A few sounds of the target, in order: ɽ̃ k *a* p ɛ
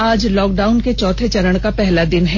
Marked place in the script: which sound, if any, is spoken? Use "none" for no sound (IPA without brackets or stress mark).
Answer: a